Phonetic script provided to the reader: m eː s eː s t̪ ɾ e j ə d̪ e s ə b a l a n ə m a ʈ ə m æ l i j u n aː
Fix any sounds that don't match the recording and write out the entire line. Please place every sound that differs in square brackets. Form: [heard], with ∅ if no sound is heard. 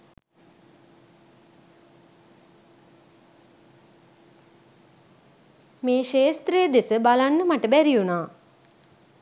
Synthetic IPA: m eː [ʃ] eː s t̪ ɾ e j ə d̪ e s ə b a l a [nː] ə m a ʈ ə [b] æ [ɾ] i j u n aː